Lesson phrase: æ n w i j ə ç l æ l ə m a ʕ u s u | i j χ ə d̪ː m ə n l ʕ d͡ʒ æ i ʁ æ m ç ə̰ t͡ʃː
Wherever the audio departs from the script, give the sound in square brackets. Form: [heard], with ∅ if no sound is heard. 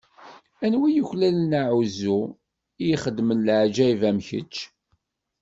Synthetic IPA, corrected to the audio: æ n w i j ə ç l æ l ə [n] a ʕ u [z] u | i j χ ə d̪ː m ə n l ʕ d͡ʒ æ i [v] æ m ç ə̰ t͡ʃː